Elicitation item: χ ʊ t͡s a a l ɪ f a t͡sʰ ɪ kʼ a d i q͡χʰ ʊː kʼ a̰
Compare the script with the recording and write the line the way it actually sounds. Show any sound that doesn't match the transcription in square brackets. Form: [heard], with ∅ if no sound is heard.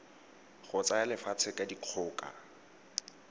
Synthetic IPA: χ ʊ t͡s a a l ɪ f a t͡sʰ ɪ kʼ a d i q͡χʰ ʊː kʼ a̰

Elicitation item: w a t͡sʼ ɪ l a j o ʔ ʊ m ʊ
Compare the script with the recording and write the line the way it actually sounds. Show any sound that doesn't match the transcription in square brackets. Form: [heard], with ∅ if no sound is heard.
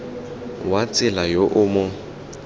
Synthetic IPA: w a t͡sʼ ɪ l a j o ʔ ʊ m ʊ

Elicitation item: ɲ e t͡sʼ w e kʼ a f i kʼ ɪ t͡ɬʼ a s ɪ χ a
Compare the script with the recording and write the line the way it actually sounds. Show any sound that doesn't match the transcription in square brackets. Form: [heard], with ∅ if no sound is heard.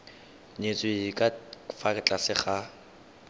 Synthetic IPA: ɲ e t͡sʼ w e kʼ a f [a] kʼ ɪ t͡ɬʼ a s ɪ χ a

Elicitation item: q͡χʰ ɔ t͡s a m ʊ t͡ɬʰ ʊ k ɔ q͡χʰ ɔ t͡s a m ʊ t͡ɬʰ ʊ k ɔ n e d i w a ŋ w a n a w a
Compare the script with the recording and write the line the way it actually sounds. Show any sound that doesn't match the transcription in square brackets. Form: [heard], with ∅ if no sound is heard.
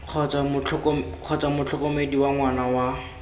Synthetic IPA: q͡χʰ ɔ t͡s a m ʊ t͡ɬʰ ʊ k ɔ q͡χʰ ɔ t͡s a m ʊ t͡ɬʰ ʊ k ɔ [m] e d i w a ŋ w a n a w a

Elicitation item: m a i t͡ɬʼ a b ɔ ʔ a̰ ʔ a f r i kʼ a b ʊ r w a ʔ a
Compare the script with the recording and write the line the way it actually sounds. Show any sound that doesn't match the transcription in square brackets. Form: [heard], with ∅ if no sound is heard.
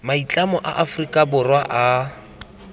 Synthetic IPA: m a i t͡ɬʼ a [m] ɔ ʔ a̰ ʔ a f r i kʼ a b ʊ r w a ʔ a

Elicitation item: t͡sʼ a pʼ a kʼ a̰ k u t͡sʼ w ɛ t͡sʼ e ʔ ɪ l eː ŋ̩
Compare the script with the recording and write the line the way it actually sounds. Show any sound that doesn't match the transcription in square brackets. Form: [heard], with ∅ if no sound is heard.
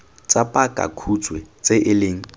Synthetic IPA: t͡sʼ a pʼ a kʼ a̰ [kʰ] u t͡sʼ w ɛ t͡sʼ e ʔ ɪ l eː ŋ̩

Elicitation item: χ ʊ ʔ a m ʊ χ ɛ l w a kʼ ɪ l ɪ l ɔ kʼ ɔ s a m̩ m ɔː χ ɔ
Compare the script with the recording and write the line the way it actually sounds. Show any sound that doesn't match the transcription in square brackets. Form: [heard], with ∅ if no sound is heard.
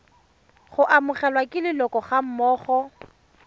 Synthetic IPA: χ ʊ ʔ a m ʊ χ ɛ l w a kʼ ɪ l ɪ l ɔ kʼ ɔ [χ] a m̩ m ɔː χ ɔ

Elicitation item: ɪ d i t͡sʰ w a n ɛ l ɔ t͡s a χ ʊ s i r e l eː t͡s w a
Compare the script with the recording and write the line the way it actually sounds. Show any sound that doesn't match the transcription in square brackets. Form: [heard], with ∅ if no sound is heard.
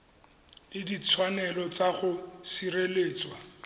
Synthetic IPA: ɪ d i t͡sʰ w a n ɛ l ɔ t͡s a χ ʊ s i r e l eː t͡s w a

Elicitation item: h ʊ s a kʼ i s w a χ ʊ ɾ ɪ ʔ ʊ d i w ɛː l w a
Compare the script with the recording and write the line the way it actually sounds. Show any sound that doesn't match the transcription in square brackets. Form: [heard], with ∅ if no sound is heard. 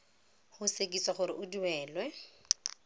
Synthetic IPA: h ʊ s [e] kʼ i s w a χ ʊ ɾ ɪ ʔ ʊ d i w ɛː l w [ɛ]

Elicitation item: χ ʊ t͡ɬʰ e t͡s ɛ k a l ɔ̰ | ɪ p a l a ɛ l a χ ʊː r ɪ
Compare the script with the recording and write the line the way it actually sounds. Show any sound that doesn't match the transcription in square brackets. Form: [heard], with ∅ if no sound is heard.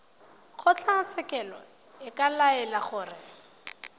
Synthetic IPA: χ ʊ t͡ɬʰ [a] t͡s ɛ k [ɛ] l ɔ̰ | ɪ [k] a l a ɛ l a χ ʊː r ɪ

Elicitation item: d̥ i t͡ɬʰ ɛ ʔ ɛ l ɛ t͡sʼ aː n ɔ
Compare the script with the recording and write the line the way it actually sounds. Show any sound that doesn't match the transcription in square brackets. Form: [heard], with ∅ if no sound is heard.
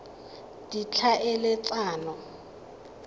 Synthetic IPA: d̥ i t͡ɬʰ [a] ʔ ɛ l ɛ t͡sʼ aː n ɔ

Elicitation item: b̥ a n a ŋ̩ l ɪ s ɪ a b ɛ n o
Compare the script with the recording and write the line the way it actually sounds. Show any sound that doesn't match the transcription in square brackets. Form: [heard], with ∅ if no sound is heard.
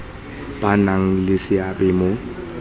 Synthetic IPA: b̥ a n a ŋ̩ l ɪ s ɪ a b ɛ [m] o

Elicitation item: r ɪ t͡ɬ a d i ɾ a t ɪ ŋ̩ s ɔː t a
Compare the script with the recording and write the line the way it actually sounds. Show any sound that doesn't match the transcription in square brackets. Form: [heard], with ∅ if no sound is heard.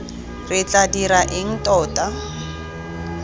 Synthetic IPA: r ɪ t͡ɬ a d i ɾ a [ʔ] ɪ ŋ̩ [t] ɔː t a

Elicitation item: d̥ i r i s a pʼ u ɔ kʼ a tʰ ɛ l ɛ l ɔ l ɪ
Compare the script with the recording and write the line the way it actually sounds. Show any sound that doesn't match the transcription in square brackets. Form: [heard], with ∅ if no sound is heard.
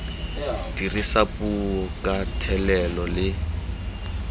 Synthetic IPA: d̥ i r i s a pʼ u ɔ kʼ a tʰ ɛ l ɛ l ɔ l ɪ

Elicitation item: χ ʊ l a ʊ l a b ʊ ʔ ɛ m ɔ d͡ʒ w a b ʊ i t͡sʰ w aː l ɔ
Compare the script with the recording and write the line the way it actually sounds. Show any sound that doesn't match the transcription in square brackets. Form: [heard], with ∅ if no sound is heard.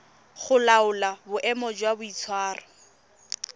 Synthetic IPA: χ ʊ l a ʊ l a b ʊ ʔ ɛ m ɔ d͡ʒ w a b ʊ i t͡sʰ w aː [r] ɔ

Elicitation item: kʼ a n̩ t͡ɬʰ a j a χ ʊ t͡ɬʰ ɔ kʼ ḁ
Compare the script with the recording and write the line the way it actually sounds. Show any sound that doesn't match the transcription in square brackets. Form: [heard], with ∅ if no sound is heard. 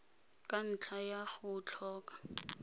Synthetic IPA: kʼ a n̩ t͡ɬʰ a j a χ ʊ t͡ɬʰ [ɔː] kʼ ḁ

